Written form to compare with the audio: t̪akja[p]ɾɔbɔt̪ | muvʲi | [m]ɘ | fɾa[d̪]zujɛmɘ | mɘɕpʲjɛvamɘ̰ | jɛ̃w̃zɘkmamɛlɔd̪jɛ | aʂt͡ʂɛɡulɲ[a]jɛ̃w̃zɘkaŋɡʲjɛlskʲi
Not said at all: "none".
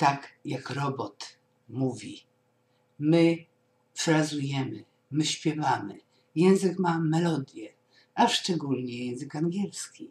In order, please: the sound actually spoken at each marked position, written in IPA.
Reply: k, m, none, ɛ

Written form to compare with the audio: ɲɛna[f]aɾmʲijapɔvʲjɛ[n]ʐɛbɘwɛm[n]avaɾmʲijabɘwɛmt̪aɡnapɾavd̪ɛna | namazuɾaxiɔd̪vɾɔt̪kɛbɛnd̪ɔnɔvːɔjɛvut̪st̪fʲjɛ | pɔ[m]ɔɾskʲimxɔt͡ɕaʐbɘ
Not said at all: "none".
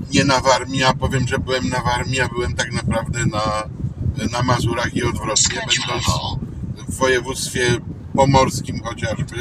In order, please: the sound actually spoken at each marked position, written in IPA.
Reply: v, m, n, m

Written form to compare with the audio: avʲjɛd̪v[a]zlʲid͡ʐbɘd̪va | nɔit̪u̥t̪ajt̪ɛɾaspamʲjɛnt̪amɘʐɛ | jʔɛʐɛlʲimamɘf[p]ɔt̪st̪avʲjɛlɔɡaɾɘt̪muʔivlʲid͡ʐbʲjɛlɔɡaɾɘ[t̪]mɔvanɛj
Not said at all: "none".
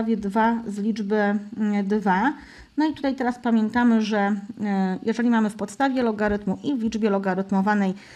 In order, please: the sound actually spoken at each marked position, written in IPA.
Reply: a, p, t̪

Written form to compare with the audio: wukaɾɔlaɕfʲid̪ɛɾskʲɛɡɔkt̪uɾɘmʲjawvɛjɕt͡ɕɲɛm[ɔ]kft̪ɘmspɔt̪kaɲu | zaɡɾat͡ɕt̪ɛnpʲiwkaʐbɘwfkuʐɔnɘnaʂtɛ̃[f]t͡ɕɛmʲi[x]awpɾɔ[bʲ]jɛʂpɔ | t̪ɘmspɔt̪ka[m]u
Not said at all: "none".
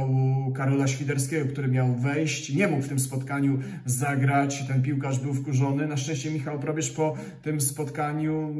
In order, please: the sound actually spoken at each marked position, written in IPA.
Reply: u, ɕ, x, bʲ, ɲ

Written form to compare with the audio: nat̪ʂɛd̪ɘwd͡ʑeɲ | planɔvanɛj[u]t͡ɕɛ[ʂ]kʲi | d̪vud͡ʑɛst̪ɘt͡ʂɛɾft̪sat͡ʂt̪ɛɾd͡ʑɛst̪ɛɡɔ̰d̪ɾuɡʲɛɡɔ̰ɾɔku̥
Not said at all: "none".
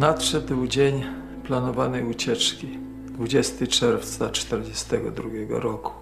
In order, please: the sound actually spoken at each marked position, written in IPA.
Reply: u, t͡ʂ

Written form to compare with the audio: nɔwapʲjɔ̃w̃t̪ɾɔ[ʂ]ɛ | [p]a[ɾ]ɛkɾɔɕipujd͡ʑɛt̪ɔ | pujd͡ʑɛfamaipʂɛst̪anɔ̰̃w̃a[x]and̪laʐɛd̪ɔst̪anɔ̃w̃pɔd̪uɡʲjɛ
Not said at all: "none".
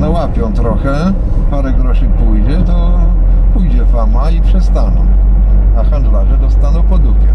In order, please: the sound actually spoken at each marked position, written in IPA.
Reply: x, p, ɾ, x

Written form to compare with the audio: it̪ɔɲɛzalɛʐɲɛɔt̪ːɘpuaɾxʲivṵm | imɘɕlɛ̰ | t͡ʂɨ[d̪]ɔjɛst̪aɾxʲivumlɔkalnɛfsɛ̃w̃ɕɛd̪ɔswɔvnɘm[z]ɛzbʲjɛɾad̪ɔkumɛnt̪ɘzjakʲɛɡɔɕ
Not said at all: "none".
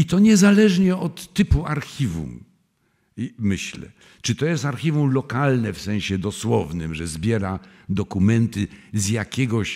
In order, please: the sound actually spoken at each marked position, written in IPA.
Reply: t̪, ʐ

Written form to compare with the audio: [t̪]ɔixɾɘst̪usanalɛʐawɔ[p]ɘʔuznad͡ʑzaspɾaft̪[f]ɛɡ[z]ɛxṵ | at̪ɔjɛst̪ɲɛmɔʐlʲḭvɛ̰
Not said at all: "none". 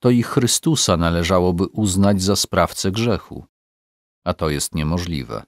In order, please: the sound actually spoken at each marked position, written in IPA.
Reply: t̪, b, s, ʐ

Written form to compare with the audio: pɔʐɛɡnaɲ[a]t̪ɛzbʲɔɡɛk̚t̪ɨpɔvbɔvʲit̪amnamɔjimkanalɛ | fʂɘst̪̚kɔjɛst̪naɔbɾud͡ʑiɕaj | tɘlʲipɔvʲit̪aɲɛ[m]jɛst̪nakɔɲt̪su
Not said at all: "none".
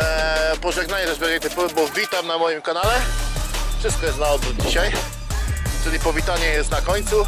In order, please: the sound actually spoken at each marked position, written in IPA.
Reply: ɛ, none

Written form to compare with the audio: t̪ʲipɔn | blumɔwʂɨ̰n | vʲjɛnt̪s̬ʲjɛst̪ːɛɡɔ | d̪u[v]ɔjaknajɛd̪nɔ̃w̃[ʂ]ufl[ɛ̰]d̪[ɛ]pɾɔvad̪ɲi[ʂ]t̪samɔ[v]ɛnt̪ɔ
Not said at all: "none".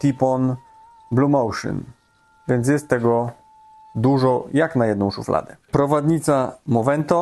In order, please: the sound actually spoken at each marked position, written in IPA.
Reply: ʐ, ʂ, a̰, ɛ, none, v

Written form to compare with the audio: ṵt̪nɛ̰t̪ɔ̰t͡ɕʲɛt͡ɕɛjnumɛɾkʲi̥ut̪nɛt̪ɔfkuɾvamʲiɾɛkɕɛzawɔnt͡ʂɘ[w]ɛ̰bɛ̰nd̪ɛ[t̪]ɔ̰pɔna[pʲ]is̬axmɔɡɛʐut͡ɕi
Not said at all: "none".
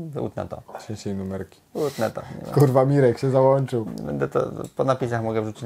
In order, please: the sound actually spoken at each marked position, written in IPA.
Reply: w, t̪, pʲ

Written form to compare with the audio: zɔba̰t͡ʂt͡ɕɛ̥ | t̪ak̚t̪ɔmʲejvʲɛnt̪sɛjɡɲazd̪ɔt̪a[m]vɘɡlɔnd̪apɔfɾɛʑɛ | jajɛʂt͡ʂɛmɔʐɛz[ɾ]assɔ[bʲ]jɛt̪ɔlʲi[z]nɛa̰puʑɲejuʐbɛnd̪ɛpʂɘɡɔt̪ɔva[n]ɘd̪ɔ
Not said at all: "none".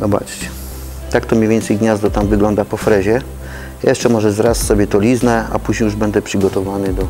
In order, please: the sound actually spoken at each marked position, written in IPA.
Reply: m, ɾ, bʲ, z, n

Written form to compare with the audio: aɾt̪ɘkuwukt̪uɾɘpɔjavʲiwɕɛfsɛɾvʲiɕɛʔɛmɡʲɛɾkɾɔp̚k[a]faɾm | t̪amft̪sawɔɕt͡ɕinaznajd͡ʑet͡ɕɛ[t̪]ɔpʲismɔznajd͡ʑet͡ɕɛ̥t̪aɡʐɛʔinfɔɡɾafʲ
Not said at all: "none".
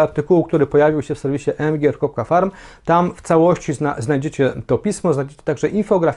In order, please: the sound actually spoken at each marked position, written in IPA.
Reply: a, t̪

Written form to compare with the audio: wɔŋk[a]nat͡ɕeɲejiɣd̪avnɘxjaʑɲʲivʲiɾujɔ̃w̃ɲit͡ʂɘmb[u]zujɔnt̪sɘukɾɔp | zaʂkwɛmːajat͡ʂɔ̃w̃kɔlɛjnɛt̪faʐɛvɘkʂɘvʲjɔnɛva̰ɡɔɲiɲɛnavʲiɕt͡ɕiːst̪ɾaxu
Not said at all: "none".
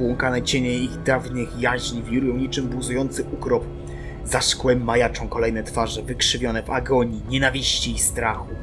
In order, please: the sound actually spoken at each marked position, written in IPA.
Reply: a, u

